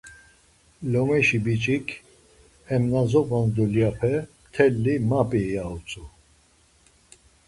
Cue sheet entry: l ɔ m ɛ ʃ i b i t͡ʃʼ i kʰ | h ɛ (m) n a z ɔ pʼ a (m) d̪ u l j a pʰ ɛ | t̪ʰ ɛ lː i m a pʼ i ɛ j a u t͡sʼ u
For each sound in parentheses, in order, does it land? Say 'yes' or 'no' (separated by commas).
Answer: yes, no